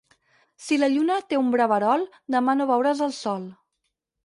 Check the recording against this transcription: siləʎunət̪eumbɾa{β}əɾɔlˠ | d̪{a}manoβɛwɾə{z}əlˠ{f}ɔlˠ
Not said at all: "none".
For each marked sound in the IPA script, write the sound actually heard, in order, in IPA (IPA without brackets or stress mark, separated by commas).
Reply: β, ə, z, s